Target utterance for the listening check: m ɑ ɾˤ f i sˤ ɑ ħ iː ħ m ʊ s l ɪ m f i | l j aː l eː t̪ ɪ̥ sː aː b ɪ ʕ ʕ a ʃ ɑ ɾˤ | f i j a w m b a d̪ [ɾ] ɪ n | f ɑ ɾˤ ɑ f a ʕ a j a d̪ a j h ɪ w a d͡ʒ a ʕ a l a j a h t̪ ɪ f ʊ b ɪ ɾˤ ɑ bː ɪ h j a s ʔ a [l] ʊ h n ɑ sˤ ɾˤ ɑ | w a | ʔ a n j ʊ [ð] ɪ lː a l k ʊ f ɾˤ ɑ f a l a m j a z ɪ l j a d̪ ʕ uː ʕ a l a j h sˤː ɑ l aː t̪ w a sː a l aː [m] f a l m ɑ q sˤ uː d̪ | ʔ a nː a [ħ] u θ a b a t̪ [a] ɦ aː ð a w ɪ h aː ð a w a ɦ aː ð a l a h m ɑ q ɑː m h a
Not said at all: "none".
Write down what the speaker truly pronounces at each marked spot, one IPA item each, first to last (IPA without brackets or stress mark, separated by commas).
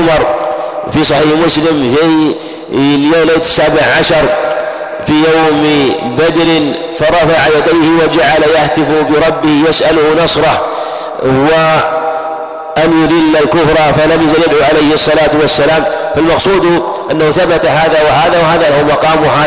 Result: ɾ, l, ð, m, h, a